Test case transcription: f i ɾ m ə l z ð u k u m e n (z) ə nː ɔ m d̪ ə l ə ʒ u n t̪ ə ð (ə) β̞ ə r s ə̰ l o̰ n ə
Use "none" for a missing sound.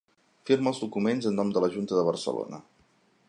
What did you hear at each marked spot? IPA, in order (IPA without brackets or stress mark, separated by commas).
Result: z, ə